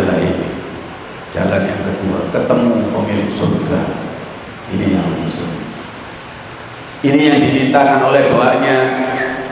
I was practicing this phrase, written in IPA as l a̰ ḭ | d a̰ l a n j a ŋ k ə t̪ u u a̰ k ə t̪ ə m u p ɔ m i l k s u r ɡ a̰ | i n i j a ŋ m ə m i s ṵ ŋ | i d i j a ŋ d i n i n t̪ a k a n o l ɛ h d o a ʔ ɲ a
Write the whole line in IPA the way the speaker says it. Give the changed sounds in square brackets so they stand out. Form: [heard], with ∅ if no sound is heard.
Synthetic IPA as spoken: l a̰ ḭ | [d͡ʒ] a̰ l a n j a ŋ k ə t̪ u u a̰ k ə t̪ ə m u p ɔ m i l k s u r ɡ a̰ | i n i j a ŋ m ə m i s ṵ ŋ | i [n] i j a ŋ d i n i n t̪ a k a n o l ɛ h d o a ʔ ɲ a